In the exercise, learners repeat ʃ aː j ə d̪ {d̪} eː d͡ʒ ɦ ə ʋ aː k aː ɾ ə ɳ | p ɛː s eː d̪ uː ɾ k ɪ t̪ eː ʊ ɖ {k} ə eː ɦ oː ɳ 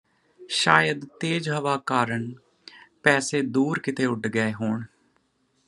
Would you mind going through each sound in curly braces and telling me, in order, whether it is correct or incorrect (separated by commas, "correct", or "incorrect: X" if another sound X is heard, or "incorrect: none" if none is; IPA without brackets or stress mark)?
incorrect: t̪, incorrect: ɡ